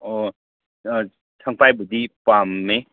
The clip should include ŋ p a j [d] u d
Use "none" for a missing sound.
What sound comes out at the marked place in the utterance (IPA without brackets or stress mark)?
b